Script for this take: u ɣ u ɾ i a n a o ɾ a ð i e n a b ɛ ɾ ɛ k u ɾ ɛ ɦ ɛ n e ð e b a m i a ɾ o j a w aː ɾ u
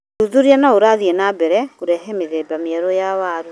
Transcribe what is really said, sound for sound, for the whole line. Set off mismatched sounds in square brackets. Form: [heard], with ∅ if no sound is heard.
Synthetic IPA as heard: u [ð] u ɾ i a n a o ɾ a ð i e n a b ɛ ɾ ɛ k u ɾ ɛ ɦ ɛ [m] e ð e b a m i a ɾ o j a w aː ɾ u